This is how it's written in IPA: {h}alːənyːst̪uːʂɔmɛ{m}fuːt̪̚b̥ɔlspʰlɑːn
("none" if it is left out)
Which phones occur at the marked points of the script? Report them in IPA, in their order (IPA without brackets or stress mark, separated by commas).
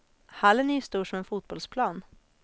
h, n